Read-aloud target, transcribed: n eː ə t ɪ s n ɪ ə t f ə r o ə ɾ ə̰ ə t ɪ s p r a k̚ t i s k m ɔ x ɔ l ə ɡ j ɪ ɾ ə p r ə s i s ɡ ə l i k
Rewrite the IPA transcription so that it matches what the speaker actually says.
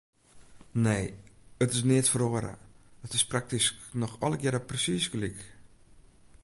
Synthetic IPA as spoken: n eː ə t ɪ s n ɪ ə t f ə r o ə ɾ ə̰ ə t ɪ s p r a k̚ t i s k n ɔ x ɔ l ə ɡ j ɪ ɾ ə p r ə s i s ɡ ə l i k